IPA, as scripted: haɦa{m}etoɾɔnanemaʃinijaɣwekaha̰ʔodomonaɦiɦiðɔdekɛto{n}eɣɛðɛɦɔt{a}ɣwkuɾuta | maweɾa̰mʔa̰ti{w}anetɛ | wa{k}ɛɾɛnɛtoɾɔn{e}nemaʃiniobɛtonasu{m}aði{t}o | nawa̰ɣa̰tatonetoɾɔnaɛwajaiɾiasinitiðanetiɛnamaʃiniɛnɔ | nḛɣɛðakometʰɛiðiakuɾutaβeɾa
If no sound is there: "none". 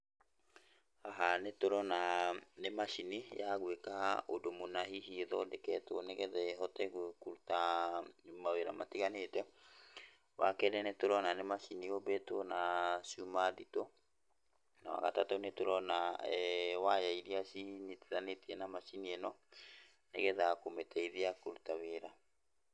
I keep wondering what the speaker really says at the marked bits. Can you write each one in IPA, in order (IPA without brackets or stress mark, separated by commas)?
n, n, ɛ, ɣ, k, a, m, t